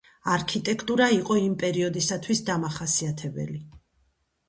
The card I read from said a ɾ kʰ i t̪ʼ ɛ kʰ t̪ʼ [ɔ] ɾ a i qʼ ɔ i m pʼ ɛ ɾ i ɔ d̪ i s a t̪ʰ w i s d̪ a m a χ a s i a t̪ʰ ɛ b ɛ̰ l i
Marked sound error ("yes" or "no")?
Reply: yes